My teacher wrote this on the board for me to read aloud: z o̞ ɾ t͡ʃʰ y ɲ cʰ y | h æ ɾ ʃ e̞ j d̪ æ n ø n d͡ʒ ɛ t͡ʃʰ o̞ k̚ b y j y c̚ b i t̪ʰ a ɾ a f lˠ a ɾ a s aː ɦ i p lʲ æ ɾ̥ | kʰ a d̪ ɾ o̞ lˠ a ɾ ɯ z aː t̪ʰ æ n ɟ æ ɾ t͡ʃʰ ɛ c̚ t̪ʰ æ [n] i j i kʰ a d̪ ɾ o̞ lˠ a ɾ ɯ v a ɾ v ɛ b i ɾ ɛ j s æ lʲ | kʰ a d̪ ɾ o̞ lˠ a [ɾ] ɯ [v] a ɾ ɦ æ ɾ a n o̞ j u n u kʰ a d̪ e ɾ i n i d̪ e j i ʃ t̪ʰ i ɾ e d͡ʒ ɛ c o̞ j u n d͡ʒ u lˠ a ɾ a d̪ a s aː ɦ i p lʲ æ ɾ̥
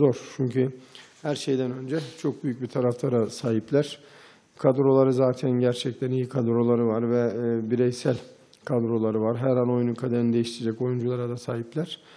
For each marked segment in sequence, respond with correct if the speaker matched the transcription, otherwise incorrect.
correct, correct, correct

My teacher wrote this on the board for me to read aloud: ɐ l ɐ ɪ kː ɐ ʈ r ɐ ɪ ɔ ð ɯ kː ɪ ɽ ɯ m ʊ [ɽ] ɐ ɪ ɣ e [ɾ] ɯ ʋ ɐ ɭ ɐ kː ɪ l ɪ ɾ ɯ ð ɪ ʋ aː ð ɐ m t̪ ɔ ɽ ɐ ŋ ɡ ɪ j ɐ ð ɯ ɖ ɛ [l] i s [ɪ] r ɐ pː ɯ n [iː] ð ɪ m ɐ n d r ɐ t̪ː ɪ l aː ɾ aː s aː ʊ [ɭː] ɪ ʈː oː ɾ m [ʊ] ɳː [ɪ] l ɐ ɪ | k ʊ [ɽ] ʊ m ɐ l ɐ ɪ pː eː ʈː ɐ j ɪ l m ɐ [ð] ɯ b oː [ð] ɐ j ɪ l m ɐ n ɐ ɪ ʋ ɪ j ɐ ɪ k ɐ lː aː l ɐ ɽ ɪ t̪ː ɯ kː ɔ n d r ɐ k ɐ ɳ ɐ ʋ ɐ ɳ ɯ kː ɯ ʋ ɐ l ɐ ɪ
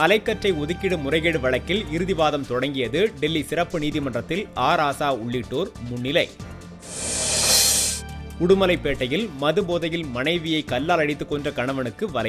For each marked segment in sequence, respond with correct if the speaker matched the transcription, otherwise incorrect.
incorrect: r, incorrect: ɽ, incorrect: lː, correct, correct, correct, correct, correct, correct, correct, correct

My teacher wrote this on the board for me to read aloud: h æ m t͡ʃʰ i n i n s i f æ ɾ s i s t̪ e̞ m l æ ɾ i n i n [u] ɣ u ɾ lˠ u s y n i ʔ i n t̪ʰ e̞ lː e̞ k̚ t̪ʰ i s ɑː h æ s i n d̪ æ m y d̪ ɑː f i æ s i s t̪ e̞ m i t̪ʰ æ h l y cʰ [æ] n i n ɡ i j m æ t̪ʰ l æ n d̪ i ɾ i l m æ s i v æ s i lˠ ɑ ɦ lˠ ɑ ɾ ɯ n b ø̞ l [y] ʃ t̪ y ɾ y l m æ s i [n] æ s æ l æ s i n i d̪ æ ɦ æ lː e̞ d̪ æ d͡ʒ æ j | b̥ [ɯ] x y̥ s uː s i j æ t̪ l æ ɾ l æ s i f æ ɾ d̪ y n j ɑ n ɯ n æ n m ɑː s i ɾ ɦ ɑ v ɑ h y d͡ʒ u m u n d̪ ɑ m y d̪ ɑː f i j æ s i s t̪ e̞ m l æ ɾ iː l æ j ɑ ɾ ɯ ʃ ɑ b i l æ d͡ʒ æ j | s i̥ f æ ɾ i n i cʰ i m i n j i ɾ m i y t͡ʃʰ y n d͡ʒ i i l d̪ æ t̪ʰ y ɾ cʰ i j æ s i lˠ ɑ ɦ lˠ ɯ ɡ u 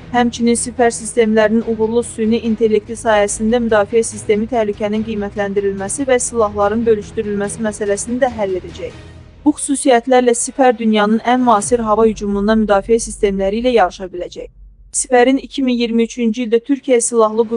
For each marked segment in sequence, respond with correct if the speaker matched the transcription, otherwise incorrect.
correct, correct, correct, incorrect: m, incorrect: u

